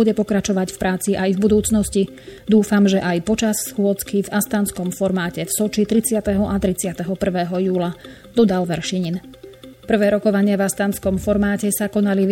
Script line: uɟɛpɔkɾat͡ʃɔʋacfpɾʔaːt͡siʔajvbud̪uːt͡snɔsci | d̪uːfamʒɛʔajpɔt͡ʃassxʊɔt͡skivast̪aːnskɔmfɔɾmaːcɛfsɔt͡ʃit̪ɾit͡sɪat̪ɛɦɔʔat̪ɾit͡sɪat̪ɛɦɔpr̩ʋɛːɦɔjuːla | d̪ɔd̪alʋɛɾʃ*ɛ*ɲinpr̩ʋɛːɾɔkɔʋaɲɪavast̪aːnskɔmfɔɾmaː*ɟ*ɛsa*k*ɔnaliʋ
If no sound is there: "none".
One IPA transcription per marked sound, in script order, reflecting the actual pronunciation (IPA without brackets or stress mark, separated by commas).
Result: i, c, k